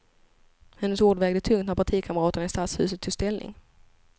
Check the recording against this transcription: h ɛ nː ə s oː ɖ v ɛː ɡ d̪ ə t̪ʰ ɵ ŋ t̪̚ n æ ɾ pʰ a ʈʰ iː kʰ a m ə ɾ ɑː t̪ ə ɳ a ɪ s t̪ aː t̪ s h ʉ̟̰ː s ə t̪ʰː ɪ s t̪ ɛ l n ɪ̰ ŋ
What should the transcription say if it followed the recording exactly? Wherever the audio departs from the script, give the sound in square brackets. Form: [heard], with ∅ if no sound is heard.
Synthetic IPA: h ɛ nː ə s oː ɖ v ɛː ɡ d̪ ə t̪ʰ ɵ ŋ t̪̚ n æ ɾ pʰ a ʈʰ iː kʰ a m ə ɾ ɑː t̪ ə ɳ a ɪ s t̪ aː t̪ s h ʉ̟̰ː s ə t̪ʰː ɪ s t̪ ɛ l n ɪ̰ ŋ